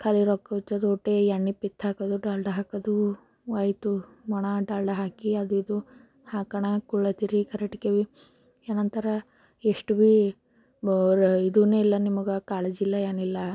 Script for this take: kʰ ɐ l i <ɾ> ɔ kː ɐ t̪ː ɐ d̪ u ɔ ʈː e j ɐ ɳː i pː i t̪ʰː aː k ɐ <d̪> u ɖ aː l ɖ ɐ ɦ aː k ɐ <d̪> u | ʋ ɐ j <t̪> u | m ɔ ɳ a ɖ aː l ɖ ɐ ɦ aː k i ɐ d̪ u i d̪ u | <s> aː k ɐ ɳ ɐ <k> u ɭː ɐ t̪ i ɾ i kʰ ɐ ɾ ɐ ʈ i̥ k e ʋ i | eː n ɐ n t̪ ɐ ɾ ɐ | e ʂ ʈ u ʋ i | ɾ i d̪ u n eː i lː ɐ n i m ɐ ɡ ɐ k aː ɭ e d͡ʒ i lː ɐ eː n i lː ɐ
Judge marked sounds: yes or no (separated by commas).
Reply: yes, yes, yes, yes, no, yes